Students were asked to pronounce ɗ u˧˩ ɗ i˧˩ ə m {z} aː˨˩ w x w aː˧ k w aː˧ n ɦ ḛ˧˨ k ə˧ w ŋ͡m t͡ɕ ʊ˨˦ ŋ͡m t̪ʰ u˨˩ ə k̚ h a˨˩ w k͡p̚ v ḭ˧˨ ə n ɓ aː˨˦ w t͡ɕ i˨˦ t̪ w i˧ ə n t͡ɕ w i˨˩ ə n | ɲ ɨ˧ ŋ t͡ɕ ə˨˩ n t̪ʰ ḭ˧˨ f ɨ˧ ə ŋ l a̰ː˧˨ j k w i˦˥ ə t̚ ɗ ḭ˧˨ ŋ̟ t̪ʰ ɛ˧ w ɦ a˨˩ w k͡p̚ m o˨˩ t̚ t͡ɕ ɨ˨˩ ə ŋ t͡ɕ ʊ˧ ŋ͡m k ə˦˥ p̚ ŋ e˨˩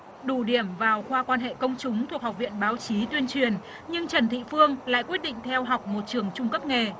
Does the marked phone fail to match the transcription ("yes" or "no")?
yes